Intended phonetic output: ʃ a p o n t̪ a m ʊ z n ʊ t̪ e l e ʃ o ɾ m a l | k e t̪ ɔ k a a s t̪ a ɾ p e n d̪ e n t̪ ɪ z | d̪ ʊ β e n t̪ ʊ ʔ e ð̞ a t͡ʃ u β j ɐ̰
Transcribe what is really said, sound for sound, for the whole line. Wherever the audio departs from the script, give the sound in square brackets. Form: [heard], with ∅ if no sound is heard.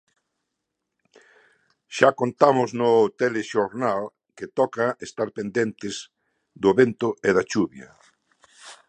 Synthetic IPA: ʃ a [k] o n t̪ a m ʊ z n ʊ t̪ e l e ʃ o ɾ [n] a l | k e t̪ ɔ k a [e] s t̪ a ɾ p e n d̪ e n t̪ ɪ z | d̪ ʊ β e n t̪ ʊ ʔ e ð̞ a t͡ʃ u β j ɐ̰